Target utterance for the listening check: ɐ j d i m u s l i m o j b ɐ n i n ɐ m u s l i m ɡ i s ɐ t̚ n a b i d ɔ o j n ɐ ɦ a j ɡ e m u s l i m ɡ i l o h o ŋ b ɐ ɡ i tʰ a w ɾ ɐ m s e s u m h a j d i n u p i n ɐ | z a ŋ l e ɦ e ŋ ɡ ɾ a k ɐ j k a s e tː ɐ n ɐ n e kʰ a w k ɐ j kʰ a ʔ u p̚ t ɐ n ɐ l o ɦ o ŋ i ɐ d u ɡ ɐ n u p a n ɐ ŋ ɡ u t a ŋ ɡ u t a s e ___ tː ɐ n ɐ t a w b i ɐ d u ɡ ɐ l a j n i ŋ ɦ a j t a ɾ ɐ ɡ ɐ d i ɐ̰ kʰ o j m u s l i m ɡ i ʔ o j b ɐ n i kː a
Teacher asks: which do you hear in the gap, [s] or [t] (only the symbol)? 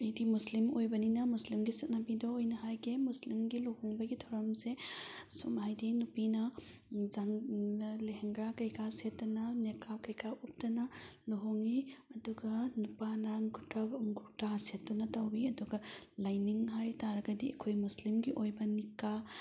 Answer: t